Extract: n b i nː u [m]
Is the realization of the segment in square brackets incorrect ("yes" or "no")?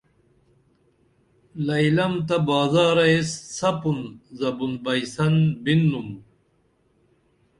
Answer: no